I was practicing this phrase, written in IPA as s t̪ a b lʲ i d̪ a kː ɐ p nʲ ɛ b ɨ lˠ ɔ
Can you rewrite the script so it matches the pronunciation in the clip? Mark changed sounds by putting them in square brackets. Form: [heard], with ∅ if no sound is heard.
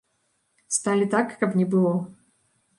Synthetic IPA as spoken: s t̪ a [∅] lʲ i [t̪] a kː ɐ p nʲ ɛ b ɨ lˠ ɔ

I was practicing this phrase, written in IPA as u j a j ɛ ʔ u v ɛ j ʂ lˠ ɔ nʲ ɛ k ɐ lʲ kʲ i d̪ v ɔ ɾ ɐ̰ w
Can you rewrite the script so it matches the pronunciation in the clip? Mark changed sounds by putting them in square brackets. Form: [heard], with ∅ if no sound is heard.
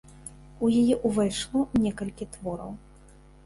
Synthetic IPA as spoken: u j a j ɛ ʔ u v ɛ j ʂ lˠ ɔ nʲ ɛ k ɐ lʲ kʲ i [t̪] v ɔ ɾ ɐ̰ w

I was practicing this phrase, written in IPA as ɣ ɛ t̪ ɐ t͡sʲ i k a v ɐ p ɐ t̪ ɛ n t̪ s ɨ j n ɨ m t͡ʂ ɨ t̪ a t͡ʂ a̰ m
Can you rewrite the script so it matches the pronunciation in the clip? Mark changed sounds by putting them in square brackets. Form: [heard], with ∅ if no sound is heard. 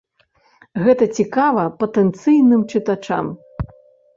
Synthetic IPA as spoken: ɣ ɛ t̪ ɐ t͡sʲ i k a v ɐ p ɐ t̪ ɛ n t̪ s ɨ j n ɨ m t͡ʂ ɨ t̪ a t͡ʂ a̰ m

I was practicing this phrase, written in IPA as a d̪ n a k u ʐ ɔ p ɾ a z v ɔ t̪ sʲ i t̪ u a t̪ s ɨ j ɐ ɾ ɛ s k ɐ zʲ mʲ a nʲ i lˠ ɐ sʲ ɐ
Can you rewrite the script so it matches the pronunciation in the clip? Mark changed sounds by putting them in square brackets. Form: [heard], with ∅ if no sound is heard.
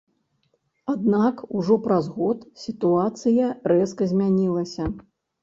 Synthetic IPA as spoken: a d̪ n a k u ʐ ɔ p ɾ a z [ɣ] ɔ t̪ sʲ i t̪ u a t̪ s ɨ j ɐ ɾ ɛ s k ɐ zʲ mʲ a nʲ i lˠ ɐ sʲ ɐ

